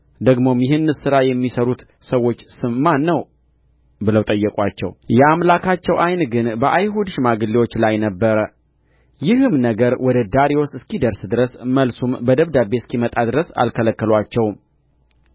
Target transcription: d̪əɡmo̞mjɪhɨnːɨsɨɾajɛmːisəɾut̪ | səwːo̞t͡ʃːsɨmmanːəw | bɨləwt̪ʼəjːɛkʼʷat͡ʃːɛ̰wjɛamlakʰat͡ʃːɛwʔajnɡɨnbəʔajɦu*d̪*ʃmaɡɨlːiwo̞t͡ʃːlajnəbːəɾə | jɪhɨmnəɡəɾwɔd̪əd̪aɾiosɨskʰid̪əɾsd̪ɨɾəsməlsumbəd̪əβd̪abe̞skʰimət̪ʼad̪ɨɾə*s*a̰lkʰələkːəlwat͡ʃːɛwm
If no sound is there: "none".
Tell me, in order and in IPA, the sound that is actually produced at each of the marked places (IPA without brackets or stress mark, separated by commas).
d̪, s